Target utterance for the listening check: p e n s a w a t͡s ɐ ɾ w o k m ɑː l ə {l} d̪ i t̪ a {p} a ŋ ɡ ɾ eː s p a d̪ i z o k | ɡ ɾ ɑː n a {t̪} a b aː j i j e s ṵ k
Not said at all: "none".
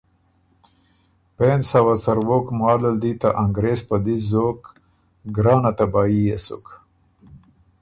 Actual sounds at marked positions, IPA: l, ʔ, t̪

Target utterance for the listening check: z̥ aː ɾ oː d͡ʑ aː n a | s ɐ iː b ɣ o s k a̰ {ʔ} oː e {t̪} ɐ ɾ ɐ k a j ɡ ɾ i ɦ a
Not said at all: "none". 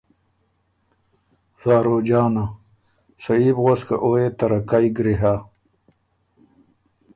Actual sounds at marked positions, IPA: ʔ, t̪

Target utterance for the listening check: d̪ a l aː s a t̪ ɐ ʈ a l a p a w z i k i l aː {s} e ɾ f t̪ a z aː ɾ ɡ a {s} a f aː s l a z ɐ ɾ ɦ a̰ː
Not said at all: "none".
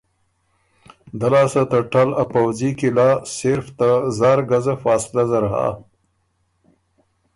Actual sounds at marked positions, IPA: s, z

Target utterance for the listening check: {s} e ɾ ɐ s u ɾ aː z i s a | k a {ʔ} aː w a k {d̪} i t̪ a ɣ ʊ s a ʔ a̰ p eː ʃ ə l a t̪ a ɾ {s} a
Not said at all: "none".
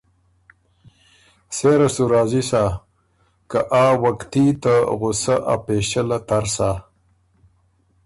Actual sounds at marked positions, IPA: s, ʔ, t̪, s

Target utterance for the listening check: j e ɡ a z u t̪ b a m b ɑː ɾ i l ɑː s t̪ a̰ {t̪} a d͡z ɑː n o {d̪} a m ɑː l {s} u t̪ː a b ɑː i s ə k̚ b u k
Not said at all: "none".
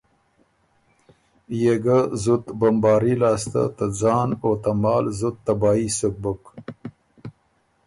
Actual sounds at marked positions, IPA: t̪, t̪, z

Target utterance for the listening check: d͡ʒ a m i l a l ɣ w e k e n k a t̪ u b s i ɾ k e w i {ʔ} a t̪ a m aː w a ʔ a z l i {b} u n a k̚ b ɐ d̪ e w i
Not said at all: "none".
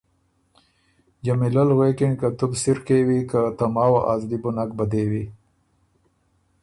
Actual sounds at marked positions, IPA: k, b

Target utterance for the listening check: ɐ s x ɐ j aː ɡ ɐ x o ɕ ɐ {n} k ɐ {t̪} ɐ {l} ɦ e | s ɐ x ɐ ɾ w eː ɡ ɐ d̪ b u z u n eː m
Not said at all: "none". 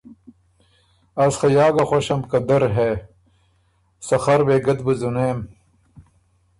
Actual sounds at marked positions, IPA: m, d̪, ɾ

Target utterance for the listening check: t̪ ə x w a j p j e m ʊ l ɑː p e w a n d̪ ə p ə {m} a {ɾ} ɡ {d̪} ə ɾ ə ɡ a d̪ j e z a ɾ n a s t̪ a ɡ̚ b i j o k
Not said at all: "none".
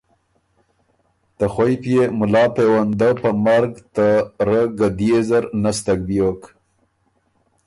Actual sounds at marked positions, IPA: m, ɾ, t̪

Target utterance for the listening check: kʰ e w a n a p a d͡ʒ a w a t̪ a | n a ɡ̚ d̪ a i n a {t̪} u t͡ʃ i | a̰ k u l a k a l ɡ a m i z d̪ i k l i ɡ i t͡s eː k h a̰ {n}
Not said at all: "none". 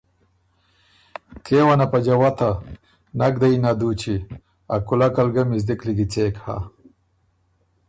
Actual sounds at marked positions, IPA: d̪, none

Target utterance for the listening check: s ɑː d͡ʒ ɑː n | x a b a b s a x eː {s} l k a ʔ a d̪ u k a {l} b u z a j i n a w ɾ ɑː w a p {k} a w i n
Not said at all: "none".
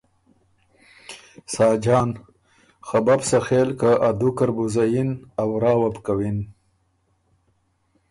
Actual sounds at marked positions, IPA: none, ɾ, k

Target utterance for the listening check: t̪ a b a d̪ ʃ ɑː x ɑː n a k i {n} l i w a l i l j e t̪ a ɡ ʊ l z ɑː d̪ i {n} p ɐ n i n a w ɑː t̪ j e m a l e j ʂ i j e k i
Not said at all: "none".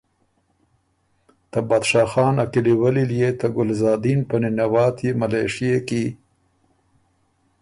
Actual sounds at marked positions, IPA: none, n

